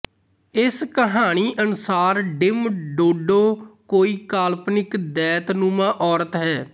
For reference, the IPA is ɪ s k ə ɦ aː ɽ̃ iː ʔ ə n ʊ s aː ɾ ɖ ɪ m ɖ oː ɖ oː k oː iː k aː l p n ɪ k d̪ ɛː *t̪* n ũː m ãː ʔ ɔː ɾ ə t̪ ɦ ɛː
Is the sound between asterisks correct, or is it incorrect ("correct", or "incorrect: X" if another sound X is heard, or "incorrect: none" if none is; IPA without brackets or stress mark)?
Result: correct